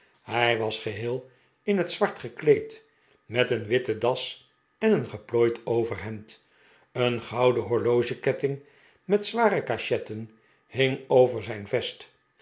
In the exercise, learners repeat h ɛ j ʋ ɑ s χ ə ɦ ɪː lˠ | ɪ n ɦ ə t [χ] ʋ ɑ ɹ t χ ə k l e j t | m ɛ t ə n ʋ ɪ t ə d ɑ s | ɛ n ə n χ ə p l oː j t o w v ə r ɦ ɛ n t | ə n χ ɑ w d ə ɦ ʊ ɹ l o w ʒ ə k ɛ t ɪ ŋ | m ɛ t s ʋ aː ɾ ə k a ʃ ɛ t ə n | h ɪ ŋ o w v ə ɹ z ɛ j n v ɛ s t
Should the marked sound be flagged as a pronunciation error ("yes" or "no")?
yes